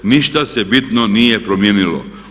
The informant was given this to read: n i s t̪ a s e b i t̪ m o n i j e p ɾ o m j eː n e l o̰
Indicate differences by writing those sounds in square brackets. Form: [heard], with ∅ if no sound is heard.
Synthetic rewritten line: n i [ʃ] t̪ a s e b i t̪ [n] o n i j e p ɾ o m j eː n [i] l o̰